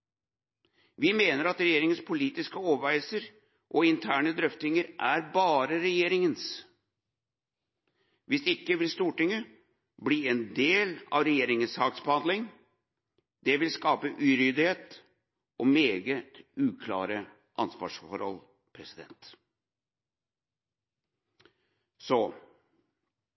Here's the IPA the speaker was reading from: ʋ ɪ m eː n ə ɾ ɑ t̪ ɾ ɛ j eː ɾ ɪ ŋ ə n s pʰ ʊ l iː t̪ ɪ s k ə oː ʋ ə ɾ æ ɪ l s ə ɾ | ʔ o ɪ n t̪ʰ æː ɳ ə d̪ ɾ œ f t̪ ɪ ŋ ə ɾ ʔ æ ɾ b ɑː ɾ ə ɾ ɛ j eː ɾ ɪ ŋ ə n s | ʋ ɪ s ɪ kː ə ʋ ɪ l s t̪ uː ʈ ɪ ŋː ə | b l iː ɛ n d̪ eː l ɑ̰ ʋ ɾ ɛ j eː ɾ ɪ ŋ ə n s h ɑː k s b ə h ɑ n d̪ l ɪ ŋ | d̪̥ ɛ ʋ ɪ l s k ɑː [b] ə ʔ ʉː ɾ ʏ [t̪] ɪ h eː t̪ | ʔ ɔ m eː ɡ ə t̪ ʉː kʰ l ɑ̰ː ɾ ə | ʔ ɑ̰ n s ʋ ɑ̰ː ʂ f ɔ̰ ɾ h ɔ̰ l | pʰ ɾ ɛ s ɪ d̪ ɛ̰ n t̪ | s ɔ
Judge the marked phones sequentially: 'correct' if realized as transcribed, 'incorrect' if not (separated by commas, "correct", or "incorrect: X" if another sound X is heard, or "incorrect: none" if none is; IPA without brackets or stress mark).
incorrect: p, incorrect: d̪